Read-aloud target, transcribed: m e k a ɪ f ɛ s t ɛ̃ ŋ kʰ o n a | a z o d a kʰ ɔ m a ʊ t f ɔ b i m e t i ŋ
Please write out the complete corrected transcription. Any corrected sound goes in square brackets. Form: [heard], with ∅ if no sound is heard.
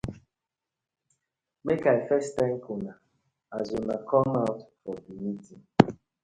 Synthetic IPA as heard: m e k a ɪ f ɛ s t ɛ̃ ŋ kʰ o n a | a z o [n] a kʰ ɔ m a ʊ t f ɔ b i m [i] t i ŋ